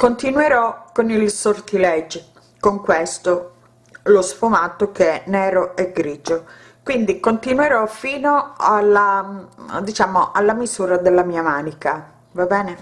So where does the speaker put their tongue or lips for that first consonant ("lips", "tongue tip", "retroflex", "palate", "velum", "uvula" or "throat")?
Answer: velum